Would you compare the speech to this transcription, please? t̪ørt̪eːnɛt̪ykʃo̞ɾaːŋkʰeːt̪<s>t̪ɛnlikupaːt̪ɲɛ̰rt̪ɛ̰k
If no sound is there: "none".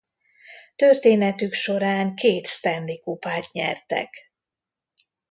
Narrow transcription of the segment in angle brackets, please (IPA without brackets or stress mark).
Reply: s